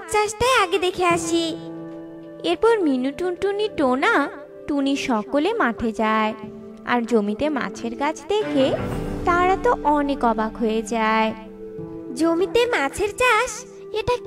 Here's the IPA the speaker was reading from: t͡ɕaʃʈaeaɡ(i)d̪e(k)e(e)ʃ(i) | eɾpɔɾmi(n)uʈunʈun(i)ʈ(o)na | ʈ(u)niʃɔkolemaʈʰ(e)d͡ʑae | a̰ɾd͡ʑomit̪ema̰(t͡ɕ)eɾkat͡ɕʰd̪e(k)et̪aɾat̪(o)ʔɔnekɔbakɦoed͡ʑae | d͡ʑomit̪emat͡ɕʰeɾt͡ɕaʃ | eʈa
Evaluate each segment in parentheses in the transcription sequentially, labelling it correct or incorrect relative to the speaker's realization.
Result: incorrect, incorrect, incorrect, correct, correct, correct, correct, correct, correct, incorrect, incorrect, correct

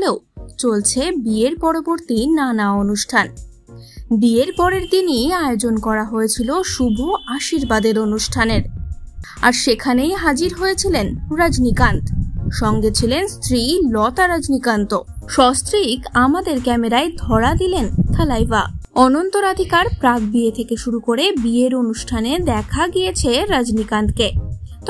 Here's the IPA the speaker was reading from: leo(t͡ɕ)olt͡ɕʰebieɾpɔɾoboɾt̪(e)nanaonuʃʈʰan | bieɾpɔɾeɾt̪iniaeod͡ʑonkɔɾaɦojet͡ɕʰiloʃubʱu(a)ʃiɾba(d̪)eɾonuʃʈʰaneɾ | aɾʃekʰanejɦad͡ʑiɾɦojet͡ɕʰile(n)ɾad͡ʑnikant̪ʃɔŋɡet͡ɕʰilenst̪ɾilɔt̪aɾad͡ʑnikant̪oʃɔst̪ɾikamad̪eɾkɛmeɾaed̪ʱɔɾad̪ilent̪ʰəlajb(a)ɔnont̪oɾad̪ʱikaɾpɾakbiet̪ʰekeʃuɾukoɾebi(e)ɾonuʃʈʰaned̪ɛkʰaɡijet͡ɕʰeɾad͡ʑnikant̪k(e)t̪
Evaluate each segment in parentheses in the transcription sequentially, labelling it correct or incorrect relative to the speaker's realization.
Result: correct, incorrect, correct, correct, correct, correct, correct, correct

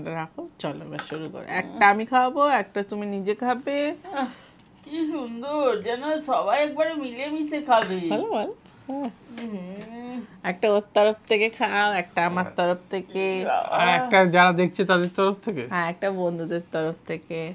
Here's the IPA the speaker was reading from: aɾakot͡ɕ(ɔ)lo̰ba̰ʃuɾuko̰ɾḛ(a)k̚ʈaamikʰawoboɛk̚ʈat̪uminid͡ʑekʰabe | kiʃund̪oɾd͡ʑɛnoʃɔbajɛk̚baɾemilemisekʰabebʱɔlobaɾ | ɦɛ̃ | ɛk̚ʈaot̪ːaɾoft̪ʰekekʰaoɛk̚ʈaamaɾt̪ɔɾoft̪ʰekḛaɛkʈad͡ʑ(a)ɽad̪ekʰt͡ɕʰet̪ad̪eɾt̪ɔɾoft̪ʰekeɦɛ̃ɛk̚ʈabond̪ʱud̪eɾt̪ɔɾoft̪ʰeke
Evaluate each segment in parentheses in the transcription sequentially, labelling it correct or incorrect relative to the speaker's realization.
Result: correct, incorrect, correct

